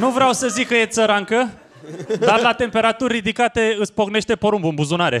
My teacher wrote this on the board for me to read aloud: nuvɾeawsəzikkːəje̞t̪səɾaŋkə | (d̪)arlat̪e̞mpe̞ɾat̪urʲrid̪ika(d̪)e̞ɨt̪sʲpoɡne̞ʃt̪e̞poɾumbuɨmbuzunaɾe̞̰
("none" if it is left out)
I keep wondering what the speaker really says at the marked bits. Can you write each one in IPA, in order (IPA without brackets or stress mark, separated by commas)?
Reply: d̪, t̪